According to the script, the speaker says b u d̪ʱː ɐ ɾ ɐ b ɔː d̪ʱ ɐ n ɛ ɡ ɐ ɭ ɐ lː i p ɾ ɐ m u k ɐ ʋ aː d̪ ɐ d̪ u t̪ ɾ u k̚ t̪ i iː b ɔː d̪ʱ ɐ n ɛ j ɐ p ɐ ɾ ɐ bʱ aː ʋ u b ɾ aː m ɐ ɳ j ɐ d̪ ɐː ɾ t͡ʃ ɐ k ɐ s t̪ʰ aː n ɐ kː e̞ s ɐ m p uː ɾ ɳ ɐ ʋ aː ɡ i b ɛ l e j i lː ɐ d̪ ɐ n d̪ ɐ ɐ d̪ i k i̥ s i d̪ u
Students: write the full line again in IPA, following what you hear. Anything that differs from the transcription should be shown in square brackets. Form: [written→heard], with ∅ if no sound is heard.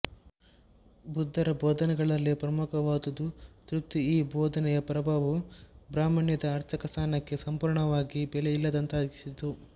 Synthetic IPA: b u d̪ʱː ɐ ɾ ɐ b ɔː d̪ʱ ɐ n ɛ ɡ ɐ ɭ ɐ lː i p ɾ ɐ m u k ɐ ʋ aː d̪ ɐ d̪ u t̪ ɾ u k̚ t̪ i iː b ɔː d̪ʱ ɐ n ɛ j ɐ p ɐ ɾ ɐ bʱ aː ʋ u b ɾ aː m ɐ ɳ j ɐ d̪ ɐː ɾ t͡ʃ ɐ k ɐ s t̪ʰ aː n ɐ kː e̞ s ɐ m p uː ɾ ɳ ɐ ʋ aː ɡ i b ɛ l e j i lː ɐ d̪ ɐ n [d̪→t̪] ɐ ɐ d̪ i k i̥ s i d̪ u